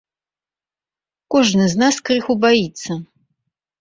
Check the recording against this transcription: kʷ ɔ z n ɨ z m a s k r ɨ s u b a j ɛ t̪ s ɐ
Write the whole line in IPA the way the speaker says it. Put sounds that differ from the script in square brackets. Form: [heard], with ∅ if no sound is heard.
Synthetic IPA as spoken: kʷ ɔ [ʐ] n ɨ z [n] a s k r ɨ [x] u b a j [i] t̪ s ɐ